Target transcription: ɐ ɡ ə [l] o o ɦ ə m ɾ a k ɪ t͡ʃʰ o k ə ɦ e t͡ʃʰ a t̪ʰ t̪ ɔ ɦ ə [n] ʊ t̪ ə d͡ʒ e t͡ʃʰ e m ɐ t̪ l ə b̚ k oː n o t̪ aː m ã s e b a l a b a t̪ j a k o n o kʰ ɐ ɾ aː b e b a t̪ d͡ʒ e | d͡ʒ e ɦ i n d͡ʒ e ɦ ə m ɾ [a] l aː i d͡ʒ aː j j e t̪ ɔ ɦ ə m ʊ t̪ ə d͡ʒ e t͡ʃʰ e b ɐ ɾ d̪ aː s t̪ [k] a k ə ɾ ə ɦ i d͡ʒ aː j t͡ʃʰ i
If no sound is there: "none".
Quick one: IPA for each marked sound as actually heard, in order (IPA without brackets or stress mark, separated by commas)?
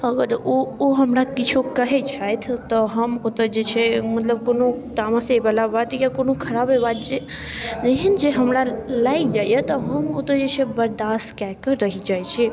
ɾ, m, a, k